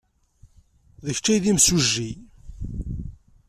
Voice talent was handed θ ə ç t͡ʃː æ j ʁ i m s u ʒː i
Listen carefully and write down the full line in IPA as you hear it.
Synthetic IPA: ð ə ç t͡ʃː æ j ð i m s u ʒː i